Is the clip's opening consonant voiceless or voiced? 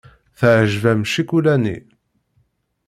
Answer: voiceless